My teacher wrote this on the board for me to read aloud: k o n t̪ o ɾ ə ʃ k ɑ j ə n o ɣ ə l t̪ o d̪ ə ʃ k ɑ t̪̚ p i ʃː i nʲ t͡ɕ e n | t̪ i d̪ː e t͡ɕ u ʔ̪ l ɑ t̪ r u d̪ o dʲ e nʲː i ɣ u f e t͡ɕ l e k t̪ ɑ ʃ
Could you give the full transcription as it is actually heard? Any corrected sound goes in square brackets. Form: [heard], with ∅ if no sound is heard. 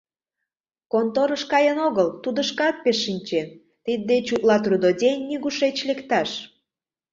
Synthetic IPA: k o n t̪ o ɾ ə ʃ k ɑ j ə n o ɣ ə l t̪ [u] d̪ ə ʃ k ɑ t̪̚ p [e] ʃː i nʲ t͡ɕ e n | t̪ i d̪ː e t͡ɕ u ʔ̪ l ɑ t̪ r u d̪ o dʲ e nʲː i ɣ u [ʃ] e t͡ɕ l e k t̪ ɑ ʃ